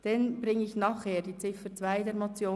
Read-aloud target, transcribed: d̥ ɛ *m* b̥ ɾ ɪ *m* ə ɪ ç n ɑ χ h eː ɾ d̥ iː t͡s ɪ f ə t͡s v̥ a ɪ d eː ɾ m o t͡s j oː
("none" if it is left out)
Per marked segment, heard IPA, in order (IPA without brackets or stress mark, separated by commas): n, ŋ